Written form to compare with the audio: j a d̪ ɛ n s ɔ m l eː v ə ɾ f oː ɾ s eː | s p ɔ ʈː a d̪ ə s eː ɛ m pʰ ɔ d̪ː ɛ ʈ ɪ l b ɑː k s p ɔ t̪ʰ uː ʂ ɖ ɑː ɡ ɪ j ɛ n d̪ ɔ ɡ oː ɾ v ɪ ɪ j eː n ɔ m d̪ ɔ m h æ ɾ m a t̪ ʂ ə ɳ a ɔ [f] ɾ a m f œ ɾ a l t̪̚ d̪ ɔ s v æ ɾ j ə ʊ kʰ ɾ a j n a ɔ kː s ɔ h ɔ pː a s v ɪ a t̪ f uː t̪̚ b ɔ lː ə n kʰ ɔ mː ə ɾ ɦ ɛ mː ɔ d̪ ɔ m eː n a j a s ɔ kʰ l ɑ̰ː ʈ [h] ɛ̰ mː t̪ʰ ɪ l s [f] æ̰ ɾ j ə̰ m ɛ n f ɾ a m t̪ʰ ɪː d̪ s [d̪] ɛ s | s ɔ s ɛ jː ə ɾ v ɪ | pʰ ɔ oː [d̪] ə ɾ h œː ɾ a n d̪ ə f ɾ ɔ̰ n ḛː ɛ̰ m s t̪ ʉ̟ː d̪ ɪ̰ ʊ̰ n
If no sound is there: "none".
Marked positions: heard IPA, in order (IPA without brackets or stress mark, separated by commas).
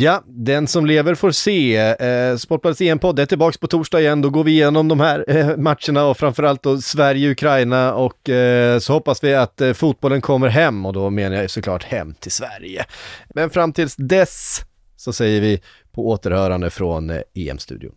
f, h, v, d̪, t̪